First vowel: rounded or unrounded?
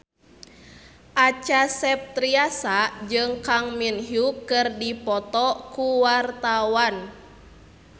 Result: unrounded